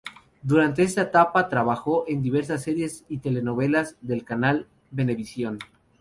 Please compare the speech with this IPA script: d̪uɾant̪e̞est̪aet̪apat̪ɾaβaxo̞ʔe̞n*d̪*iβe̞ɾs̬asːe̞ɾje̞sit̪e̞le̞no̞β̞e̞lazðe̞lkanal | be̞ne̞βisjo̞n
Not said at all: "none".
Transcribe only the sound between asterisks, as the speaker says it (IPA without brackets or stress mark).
d̪